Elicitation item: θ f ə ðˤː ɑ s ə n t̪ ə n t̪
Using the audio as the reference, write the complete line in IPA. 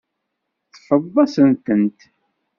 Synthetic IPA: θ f ə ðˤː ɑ s ə n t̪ ə n t̪